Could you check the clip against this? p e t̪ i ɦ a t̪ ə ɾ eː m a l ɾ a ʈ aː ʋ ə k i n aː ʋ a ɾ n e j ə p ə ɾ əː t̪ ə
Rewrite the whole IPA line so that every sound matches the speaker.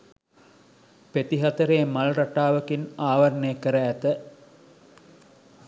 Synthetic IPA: p e t̪ i ɦ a t̪ ə ɾ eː m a l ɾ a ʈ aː ʋ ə k i n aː ʋ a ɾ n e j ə k ə ɾ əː t̪ ə